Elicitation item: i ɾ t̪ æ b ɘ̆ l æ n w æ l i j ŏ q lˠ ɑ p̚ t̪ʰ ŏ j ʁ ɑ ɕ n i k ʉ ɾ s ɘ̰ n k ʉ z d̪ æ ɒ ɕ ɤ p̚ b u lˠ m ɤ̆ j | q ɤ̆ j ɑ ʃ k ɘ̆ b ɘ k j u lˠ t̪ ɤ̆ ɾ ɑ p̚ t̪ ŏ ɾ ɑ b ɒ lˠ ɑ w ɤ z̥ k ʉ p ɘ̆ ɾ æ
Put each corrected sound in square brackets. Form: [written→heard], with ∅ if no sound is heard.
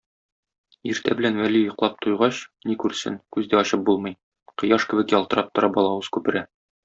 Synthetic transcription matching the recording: i ɾ t̪ æ b ɘ̆ l æ n w æ l i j ŏ q lˠ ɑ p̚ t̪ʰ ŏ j ʁ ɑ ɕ n i k ʉ ɾ s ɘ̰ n k ʉ z d̪ æ ɒ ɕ ɤ p̚ b u lˠ m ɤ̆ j | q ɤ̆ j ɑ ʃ k ɘ̆ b ɘ k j [u→ɒ] lˠ t̪ ɤ̆ ɾ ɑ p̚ t̪ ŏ ɾ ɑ b ɒ lˠ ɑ w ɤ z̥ k ʉ p ɘ̆ ɾ æ